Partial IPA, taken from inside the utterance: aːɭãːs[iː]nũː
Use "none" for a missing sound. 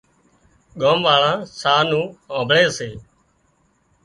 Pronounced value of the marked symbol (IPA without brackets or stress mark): aː